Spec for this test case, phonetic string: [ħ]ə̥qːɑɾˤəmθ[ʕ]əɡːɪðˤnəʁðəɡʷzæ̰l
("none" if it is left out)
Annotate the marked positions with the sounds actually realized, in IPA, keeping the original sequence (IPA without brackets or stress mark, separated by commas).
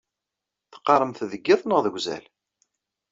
θ, ð